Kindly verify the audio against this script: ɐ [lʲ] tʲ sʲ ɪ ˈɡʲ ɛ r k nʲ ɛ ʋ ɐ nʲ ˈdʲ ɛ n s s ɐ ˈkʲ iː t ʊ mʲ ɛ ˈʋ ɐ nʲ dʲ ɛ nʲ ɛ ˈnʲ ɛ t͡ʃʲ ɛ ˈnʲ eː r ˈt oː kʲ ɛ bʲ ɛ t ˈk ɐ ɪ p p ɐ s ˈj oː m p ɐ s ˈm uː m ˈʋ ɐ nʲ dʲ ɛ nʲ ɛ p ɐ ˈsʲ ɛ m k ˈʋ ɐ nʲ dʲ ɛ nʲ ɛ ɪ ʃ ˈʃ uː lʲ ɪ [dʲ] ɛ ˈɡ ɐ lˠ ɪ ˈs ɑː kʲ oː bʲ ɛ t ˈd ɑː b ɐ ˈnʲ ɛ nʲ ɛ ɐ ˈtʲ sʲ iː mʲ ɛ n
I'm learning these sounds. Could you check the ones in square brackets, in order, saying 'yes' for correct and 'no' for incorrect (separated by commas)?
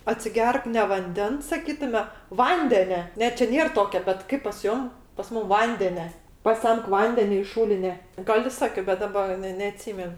no, no